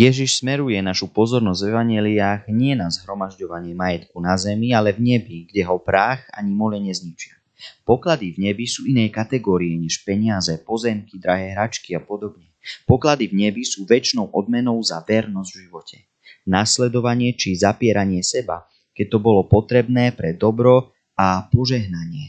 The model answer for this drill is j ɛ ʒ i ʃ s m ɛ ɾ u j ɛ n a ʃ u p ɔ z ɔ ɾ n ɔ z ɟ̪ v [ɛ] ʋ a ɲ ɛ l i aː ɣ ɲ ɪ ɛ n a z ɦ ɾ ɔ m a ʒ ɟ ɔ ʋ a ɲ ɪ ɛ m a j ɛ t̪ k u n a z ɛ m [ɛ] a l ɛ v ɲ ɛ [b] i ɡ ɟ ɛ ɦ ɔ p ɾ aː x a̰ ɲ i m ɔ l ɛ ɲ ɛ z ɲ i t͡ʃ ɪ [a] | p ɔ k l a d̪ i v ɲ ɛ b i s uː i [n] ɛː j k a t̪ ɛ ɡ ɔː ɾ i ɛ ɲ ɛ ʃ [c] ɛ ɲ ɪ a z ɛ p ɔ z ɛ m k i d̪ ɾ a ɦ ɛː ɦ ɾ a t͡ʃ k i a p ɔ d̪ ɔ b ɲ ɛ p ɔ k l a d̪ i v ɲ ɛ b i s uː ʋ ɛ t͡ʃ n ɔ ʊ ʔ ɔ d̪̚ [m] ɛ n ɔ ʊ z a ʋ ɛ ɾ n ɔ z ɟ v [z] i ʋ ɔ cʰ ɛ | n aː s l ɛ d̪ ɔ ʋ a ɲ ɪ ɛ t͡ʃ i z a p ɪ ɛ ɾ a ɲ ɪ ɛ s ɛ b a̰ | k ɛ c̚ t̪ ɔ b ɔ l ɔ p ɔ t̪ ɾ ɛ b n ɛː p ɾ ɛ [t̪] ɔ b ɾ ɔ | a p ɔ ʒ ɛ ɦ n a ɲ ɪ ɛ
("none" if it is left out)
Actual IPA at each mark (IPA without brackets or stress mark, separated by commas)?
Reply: ɛ, i, b, a, n, p, m, ʒ, d̪